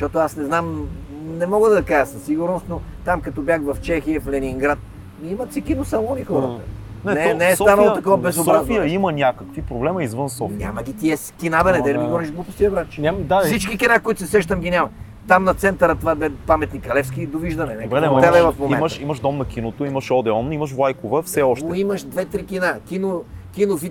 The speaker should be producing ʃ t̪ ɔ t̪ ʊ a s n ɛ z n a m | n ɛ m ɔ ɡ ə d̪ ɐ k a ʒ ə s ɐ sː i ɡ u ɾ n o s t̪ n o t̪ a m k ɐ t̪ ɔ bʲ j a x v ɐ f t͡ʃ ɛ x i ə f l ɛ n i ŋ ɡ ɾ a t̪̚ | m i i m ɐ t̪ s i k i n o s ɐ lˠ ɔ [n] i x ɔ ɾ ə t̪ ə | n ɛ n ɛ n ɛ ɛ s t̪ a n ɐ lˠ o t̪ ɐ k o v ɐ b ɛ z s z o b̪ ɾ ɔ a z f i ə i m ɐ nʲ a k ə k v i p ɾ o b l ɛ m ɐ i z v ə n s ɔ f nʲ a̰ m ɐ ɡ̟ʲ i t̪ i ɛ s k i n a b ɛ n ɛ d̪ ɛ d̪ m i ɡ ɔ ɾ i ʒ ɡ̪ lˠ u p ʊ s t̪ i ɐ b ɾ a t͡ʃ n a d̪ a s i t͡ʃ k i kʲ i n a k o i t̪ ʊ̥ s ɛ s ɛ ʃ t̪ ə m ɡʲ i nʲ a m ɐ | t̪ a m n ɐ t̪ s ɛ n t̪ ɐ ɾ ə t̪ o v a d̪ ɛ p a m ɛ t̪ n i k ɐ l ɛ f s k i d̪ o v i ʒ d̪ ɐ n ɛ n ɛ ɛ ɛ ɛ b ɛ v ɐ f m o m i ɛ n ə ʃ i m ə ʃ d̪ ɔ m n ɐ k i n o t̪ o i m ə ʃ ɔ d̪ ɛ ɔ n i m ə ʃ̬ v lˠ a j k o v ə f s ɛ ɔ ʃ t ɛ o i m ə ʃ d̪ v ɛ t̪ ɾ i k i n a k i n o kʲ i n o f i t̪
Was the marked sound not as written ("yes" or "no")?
no